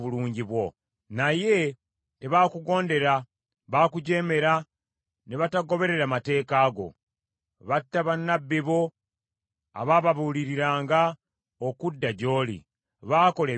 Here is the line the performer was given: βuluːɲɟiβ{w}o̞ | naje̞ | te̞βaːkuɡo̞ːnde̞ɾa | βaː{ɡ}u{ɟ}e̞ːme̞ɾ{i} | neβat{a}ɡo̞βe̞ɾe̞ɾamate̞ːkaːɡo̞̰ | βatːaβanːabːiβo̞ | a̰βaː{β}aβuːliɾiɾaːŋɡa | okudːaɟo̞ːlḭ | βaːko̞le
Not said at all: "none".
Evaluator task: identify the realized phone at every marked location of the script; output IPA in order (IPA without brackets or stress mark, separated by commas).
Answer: w, k, ɟ, a, a, β